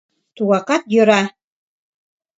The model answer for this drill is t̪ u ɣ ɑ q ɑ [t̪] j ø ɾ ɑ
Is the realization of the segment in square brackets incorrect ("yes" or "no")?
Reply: no